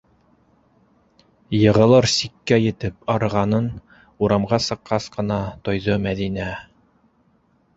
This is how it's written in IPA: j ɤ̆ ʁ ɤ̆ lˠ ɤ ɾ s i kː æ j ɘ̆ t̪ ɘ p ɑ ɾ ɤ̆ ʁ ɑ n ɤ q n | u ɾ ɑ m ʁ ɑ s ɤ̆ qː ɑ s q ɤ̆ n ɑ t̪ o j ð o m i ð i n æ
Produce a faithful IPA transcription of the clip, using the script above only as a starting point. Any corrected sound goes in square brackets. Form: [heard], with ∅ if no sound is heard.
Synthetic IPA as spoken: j ɤ̆ ʁ ɤ̆ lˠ ɤ ɾ s i kː æ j ɘ̆ t̪ ɘ p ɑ ɾ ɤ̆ ʁ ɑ n ɤ [∅] n | u ɾ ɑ m ʁ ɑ s ɤ̆ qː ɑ s q ɤ̆ n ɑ t̪ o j ð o m [æ] ð i n æ